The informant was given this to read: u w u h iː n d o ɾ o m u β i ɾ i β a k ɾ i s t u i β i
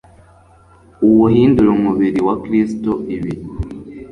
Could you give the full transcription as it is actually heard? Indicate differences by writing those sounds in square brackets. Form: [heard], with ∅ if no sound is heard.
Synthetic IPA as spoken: u w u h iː n d [u] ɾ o m u β i ɾ i [w] a k ɾ i s t [o] i β i